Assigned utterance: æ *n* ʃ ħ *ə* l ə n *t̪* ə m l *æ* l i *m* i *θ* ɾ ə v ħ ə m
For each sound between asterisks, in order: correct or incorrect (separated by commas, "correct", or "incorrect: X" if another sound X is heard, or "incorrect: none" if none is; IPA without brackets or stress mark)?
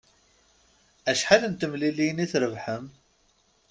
incorrect: none, incorrect: a, correct, incorrect: i, incorrect: n, correct